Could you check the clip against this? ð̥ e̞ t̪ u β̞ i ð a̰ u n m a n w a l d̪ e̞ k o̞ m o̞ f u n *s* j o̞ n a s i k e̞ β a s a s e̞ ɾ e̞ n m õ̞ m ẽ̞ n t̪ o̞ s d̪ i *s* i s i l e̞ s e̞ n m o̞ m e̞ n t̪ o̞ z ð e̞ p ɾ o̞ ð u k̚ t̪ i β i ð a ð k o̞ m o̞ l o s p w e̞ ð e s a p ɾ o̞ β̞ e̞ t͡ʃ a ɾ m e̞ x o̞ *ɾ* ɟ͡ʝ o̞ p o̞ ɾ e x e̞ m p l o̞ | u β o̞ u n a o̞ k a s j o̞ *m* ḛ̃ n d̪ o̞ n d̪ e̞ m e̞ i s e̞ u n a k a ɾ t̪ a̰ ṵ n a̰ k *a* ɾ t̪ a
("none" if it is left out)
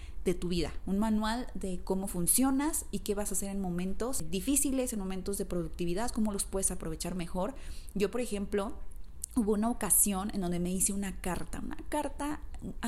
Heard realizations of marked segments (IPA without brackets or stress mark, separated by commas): s, f, ɾ, n, a